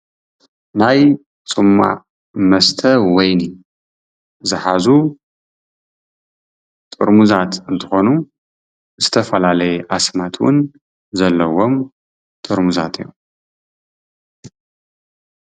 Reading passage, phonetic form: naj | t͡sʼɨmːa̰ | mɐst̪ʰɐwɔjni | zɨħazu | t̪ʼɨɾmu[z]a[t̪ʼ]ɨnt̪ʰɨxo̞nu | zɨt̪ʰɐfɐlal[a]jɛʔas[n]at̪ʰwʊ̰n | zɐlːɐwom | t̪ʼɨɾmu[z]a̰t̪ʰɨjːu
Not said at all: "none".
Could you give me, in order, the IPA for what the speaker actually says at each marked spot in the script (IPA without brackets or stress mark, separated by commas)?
z, t̪, ɐ, m, z